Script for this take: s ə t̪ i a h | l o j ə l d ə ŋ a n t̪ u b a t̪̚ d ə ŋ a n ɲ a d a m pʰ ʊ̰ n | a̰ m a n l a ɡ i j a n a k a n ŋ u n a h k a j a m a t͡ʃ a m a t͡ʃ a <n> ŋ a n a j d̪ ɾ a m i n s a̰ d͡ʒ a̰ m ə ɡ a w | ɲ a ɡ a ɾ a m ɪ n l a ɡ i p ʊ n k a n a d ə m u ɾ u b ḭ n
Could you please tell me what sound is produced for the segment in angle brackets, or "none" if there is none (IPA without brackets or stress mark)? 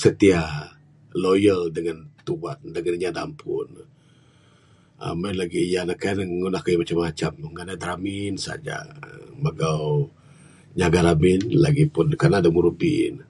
m